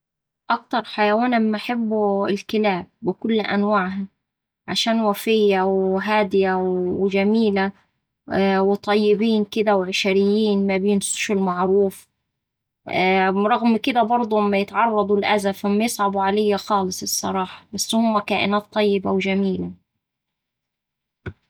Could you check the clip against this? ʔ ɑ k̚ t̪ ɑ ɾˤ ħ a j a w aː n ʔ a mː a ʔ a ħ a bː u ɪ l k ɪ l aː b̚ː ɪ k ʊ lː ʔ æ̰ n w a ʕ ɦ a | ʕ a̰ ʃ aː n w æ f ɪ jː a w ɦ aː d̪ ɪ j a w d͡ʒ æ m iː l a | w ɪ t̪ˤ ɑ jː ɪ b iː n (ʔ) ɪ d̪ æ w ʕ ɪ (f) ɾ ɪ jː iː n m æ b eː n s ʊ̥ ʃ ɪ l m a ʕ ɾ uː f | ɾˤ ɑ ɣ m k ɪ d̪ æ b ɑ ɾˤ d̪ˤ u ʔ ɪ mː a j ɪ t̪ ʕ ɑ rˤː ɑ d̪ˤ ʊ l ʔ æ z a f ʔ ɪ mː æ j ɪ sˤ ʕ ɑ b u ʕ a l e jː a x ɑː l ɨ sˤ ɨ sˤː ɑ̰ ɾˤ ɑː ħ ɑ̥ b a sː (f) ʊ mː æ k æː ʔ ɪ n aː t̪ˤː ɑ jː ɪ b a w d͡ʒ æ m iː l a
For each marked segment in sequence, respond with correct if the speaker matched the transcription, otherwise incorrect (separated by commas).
incorrect, incorrect, incorrect